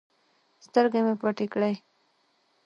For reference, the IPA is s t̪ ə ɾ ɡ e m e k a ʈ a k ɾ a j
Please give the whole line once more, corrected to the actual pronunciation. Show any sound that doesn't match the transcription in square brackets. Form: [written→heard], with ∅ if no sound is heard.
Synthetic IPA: s t̪ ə ɾ ɡ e m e [k→p] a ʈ [a→i] k [ɾ→ɽ] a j